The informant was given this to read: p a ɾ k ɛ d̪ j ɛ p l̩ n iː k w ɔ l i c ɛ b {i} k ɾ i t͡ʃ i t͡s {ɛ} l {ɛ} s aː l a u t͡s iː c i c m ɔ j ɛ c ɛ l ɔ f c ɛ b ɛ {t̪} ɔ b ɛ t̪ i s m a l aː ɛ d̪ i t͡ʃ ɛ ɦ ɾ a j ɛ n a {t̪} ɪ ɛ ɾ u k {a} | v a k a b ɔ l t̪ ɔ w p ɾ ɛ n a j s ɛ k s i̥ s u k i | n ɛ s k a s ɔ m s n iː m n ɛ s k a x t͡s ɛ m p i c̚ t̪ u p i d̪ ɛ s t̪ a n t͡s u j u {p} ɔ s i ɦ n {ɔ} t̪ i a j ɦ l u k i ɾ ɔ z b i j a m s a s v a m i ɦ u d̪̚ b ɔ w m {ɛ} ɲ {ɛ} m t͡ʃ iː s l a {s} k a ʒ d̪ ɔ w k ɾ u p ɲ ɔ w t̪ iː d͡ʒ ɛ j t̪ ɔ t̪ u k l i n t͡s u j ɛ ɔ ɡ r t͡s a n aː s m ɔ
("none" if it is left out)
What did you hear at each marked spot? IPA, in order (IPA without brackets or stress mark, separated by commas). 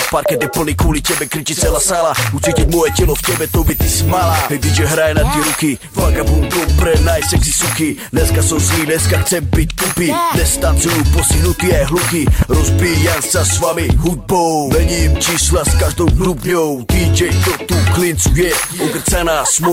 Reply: ɛ, ɛ, a, t̪, t̪, i, p, u, ɛ, i, s